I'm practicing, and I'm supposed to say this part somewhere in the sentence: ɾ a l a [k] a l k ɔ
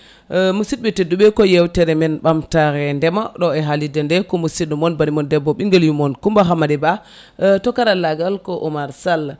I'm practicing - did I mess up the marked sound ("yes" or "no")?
yes